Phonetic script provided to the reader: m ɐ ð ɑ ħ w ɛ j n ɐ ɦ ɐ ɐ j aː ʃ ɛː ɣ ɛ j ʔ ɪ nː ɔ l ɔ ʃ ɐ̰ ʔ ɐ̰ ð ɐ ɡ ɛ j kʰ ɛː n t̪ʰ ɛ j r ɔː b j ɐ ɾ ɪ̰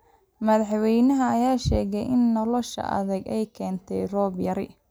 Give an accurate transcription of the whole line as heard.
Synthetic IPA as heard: m ɐ ð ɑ ħ w ɛ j n ɐ ɦ ɐ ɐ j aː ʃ ɛː ɣ ɛ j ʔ ɪ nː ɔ l ɔ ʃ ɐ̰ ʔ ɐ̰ ð ɐ ɡ ɛ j kʰ ɛː n t̪ʰ ɛ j r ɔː b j ɐ ɾ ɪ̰